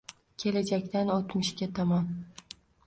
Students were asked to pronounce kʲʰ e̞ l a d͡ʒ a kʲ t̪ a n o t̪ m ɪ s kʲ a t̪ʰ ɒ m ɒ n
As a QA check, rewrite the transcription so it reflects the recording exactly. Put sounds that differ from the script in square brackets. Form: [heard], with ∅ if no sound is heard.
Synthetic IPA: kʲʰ e̞ l a d͡ʒ a kʲ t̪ a n o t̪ m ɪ [ʃ] kʲ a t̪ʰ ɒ m ɒ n